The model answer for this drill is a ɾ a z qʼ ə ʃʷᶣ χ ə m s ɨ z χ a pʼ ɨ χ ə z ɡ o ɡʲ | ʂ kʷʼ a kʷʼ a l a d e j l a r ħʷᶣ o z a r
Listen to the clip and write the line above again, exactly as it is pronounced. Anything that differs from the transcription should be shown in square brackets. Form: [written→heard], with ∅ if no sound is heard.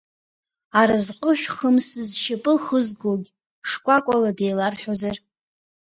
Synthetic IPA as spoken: a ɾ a z qʼ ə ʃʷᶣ χ ə m s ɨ z [χ→ʃ] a pʼ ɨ χ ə z ɡ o ɡʲ | ʂ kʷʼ a kʷʼ a l a d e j l a r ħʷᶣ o z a r